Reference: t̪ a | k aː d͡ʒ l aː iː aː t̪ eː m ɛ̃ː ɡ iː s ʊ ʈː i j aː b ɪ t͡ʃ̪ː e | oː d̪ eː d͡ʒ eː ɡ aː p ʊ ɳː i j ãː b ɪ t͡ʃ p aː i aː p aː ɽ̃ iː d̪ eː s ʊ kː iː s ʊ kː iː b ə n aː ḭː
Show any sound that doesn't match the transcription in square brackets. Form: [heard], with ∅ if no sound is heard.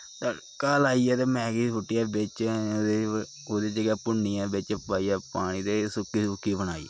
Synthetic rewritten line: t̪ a | k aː [∅] l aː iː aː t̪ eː m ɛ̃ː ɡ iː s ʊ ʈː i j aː b ɪ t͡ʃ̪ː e | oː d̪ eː d͡ʒ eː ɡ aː p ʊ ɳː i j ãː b ɪ t͡ʃ p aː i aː p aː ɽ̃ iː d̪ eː s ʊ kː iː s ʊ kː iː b ə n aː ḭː